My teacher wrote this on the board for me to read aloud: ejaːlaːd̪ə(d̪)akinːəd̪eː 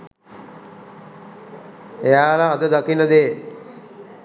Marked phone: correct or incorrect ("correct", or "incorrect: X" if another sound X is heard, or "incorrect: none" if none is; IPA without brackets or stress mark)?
correct